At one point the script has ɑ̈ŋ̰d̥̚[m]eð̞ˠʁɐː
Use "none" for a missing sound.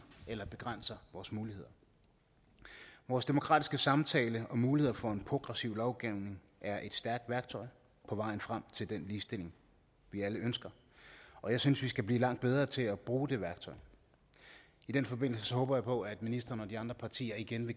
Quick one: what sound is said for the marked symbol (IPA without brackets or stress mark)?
b